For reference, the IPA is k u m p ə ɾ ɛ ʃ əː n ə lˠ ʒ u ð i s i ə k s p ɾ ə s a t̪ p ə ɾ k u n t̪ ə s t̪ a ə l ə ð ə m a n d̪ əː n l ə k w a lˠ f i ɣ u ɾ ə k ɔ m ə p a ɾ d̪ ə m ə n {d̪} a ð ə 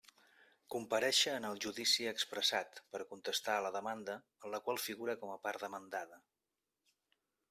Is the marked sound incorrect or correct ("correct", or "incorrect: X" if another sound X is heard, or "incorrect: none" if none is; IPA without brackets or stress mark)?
correct